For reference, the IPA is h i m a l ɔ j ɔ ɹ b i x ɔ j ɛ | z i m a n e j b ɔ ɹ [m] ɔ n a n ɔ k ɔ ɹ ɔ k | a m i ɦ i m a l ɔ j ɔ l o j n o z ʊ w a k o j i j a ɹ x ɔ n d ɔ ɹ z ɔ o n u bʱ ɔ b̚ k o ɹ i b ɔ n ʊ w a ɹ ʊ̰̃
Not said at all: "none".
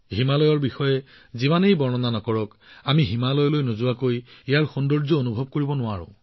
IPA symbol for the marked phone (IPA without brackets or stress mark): n